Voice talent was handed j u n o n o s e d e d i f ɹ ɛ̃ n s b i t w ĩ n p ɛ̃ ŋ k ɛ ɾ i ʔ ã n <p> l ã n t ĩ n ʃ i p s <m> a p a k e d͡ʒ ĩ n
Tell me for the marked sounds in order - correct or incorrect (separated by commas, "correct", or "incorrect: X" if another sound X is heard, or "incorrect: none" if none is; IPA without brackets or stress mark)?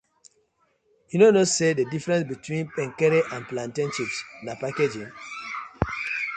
correct, incorrect: n